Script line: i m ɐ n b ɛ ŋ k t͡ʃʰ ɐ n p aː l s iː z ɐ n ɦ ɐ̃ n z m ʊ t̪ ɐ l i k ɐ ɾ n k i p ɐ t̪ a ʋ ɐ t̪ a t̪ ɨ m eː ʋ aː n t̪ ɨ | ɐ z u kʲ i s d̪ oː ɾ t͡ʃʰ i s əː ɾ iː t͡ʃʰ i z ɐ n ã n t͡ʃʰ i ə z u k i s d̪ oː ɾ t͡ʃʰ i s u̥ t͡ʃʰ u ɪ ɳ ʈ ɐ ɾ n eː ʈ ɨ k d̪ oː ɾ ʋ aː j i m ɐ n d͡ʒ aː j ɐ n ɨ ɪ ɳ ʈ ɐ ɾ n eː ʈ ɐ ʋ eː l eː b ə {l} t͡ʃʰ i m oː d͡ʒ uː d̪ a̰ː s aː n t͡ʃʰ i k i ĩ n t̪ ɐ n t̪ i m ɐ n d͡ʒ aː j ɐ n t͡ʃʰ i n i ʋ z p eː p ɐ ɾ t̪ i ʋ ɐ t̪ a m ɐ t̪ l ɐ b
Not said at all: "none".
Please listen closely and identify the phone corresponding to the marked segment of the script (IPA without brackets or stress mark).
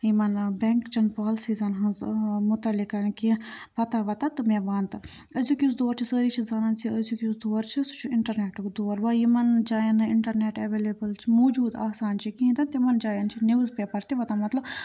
l